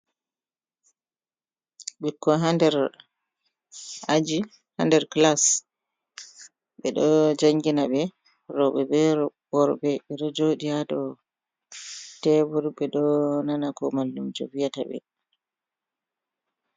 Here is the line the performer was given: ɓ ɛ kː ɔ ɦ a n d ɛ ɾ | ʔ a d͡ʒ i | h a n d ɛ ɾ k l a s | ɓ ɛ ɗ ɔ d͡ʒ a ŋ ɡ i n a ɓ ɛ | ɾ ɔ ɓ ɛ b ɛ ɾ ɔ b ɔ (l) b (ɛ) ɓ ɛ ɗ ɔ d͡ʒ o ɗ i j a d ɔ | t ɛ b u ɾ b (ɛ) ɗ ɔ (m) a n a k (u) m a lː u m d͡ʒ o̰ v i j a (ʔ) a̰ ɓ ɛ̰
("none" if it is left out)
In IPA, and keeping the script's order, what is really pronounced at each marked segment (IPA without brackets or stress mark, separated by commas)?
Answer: ɾ, ɛ, ɛ, n, ɔ, t